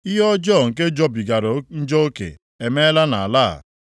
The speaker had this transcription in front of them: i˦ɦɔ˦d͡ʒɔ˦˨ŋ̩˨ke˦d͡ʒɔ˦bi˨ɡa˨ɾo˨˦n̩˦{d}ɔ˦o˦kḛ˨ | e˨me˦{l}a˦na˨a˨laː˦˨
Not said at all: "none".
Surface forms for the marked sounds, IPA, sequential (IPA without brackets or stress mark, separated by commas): d͡ʒ, l